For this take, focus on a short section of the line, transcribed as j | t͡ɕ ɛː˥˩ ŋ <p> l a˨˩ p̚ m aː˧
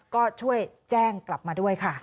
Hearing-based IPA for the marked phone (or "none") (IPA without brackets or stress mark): k